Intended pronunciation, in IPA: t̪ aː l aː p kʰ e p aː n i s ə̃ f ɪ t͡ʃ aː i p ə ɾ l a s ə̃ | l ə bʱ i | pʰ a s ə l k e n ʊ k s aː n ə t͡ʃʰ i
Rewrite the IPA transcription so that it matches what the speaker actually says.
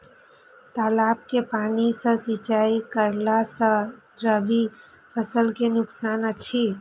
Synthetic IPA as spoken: t̪ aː l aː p k e p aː n i s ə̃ s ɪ t͡ʃ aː i k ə ɾ l a s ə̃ | ɾ ə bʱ i | pʰ ə s ə l k e n ʊ k s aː n ə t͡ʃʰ i